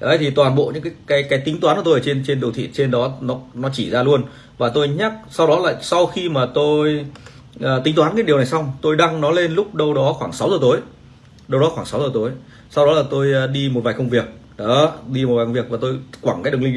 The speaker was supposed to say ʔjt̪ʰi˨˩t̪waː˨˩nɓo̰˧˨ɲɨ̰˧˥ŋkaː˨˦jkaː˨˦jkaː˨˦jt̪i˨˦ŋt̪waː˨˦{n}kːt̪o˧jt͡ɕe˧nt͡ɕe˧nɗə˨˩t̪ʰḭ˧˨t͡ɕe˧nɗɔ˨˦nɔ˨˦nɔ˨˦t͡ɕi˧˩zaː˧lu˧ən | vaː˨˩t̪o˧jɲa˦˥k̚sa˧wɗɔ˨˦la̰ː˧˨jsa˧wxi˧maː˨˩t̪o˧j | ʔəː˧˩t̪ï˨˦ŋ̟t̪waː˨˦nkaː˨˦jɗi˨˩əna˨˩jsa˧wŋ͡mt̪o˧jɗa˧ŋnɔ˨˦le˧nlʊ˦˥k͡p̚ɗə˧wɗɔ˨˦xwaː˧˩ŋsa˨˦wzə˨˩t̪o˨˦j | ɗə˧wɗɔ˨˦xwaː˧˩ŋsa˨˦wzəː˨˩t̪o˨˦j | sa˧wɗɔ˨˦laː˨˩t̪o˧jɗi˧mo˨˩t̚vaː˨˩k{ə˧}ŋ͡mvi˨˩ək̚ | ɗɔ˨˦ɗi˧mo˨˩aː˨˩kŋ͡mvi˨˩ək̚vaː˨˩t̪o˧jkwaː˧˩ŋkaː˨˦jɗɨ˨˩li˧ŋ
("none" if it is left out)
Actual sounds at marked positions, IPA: n, ə˧

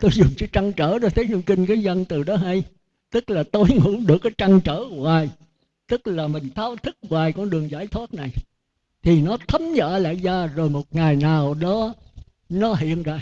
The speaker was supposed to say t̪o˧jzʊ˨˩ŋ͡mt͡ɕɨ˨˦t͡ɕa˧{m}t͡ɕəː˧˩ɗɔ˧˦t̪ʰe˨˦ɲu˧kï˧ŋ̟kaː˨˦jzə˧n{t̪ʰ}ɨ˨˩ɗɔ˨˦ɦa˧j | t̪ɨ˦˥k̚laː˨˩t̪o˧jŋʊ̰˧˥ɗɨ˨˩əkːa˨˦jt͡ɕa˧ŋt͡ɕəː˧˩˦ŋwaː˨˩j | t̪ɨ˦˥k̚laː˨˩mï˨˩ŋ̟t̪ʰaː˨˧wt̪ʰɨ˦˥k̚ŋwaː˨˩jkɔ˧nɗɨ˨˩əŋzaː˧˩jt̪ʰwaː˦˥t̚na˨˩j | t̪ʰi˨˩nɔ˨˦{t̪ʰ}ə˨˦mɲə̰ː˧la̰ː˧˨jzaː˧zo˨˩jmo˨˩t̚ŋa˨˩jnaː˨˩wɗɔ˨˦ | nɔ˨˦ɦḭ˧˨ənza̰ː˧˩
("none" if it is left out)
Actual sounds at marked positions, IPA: ŋ, t̪, t̪ʰ

